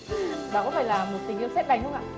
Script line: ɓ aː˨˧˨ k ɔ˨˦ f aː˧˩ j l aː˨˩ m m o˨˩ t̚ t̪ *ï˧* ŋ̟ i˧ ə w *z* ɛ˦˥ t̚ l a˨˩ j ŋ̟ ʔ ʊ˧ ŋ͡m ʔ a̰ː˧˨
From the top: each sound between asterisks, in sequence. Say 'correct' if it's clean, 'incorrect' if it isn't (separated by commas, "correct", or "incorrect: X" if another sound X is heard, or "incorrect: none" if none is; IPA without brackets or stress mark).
incorrect: ï˨˩, incorrect: s